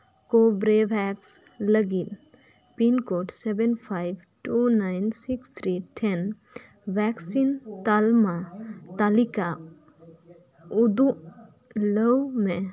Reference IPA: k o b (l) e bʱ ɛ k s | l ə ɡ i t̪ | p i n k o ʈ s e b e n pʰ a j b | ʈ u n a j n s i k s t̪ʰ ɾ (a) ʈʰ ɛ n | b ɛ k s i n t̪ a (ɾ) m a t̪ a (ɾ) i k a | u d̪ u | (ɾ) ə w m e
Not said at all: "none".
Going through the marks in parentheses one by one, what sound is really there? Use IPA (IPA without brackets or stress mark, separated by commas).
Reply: ɾ, i, l, l, l